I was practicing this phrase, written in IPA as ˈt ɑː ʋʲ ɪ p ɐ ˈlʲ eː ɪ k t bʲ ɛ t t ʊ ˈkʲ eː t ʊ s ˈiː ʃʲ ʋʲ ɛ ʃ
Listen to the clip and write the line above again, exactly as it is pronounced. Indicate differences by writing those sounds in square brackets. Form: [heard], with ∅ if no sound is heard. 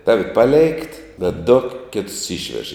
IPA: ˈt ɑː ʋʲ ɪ p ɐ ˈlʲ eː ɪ k t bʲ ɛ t [d] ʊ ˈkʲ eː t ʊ s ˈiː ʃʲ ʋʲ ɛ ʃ

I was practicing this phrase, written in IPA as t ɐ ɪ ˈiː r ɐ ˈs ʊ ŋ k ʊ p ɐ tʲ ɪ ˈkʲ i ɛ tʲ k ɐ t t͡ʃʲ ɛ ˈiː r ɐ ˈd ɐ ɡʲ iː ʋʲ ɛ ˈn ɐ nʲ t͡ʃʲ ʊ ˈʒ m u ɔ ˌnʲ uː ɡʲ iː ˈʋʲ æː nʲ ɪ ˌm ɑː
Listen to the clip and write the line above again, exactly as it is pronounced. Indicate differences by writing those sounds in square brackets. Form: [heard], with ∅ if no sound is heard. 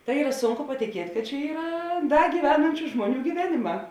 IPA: t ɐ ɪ ˈiː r ɐ ˈs ʊ ŋ k ʊ p ɐ tʲ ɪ ˈkʲ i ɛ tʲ k ɐ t t͡ʃʲ ɛ ˈiː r ɐ ˈd ɐ ɡʲ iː ʋʲ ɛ ˈn ɐ nʲ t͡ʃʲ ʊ ˈʒ m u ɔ ˌnʲ uː ɡʲ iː ˈʋʲ æː nʲ ɪ ˌm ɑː

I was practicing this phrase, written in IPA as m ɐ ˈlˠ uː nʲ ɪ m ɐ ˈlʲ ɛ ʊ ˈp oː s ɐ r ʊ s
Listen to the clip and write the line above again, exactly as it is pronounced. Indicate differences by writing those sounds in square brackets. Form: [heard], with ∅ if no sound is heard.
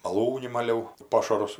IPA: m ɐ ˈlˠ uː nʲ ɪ m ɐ ˈlʲ ɛ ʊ ˈp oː [ʃ] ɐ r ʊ s

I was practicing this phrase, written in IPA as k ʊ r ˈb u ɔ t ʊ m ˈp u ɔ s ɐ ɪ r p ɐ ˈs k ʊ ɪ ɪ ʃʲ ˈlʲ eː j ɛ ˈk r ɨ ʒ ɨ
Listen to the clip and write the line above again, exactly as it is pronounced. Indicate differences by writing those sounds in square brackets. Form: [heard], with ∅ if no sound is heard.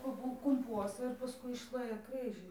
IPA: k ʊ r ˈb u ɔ [k] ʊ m ˈp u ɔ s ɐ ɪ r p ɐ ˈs k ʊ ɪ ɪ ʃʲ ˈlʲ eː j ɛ ˈk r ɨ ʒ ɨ

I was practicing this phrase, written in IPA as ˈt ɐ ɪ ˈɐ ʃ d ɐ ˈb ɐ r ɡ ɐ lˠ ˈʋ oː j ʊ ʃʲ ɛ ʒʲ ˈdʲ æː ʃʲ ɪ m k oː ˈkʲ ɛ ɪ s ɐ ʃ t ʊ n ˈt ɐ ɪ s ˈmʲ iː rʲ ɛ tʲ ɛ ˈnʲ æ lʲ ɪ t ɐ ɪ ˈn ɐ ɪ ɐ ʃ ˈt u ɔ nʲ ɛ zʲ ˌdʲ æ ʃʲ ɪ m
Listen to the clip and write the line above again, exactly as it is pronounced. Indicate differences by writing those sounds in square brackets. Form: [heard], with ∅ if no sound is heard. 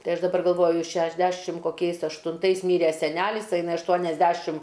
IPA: ˈt ɐ ɪ ˈɐ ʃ d ɐ ˈb ɐ r ɡ ɐ lˠ ˈʋ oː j ʊ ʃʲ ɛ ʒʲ ˈdʲ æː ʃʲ ɪ m k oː ˈkʲ ɛ ɪ s ɐ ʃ t ʊ n ˈt ɐ ɪ s ˈmʲ iː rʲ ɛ [sʲ] ɛ ˈnʲ æ lʲ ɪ [s] ɐ ɪ ˈn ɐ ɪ ɐ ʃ ˈt u ɔ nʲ ɛ zʲ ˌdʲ æ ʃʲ ɪ m

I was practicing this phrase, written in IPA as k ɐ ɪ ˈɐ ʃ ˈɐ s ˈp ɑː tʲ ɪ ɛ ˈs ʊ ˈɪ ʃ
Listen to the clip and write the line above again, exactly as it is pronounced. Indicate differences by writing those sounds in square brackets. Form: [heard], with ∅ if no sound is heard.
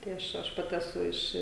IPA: [t] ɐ ɪ ˈɐ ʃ ˈɐ [ʃ] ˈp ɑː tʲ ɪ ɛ ˈs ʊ ˈɪ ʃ

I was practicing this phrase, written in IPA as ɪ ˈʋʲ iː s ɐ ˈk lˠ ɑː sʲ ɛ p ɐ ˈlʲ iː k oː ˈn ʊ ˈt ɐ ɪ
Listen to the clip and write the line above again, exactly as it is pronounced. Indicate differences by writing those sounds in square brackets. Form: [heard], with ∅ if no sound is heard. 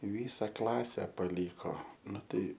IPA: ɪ ˈʋʲ iː s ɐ ˈk lˠ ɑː sʲ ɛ p ɐ ˈlʲ iː k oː ˈn ʊ ˈt ɐ ɪ

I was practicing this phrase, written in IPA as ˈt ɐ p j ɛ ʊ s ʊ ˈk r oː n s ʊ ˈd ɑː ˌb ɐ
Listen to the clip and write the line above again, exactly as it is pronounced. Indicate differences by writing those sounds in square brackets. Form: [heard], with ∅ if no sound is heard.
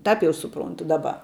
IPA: ˈt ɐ p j ɛ ʊ s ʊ [ˈp] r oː n [t] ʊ ˈd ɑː ˌb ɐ

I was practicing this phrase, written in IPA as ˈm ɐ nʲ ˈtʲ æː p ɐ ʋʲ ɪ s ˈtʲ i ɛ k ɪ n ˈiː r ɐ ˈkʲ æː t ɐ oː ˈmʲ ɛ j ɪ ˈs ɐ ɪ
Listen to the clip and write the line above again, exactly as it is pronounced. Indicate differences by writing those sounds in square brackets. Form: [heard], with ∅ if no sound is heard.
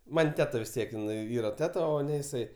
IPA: ˈm ɐ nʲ ˈtʲ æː [t] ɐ ʋʲ ɪ s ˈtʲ i ɛ k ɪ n ˈiː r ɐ [ˈtʲ] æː t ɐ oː [ˈnʲ] ɛ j ɪ ˈs ɐ ɪ

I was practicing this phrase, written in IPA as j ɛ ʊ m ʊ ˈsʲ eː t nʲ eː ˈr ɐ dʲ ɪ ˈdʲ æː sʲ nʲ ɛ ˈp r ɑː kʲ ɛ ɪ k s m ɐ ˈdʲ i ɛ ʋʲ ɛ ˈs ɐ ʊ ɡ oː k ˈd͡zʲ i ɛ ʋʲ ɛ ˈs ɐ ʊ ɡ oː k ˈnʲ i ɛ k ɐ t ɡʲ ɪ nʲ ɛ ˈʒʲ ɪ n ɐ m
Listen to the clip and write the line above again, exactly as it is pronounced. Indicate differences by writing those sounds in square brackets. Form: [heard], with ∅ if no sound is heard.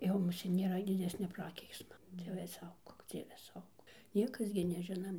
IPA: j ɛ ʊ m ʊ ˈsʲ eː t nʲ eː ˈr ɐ dʲ ɪ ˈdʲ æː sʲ nʲ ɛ ˈp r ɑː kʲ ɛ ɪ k s m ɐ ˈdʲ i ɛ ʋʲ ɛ ˈs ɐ ʊ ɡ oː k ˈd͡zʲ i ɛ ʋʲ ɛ ˈs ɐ ʊ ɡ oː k ˈnʲ i ɛ k ɐ [s] ɡʲ ɪ nʲ ɛ ˈʒʲ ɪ n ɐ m

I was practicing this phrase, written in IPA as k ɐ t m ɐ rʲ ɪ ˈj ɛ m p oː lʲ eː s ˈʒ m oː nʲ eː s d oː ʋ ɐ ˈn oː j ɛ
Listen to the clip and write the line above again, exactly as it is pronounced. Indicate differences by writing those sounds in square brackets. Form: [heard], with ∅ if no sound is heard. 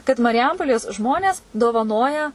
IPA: k ɐ t m ɐ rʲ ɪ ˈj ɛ m p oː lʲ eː s ˈʒ m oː nʲ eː s d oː ʋ ɐ ˈn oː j ɛ

